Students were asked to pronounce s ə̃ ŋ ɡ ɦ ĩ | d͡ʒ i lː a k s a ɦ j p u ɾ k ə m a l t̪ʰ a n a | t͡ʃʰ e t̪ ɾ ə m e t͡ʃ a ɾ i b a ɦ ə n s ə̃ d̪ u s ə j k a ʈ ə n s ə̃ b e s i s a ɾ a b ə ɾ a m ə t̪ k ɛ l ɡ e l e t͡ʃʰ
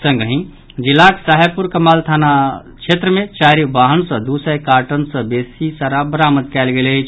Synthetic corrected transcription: s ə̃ ŋ ɡ ɦ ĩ | d͡ʒ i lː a k s a ɦ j p u ɾ k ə m a l t̪ʰ a n a | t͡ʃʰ e t̪ ɾ ə m e t͡ʃ a ɾ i b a ɦ ə n s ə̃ d̪ u s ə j k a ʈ ə n s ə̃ b e s i s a ɾ a b ə ɾ a m ə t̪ k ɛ l ɡ e l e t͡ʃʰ